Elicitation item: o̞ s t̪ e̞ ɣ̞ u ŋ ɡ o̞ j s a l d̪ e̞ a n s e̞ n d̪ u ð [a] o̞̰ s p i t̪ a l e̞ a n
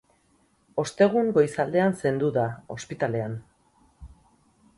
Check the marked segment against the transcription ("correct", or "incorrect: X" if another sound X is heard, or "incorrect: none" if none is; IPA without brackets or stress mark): correct